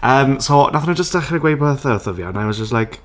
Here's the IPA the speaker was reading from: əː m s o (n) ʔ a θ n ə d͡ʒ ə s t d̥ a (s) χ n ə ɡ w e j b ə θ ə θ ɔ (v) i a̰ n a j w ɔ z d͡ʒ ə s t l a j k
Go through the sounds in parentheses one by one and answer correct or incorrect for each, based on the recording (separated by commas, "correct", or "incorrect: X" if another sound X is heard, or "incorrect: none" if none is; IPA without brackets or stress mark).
correct, incorrect: none, correct